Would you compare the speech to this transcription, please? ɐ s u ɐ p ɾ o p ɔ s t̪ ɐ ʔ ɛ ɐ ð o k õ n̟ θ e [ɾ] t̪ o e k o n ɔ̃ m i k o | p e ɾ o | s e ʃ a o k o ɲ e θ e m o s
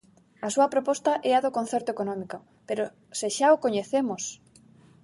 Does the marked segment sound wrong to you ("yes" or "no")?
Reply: no